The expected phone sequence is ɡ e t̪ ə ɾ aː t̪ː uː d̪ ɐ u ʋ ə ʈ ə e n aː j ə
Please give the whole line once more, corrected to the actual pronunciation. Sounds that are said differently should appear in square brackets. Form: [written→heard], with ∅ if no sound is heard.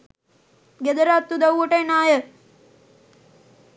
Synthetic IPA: ɡ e [t̪→d̪] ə ɾ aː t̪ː [uː→u] d̪ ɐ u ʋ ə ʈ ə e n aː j ə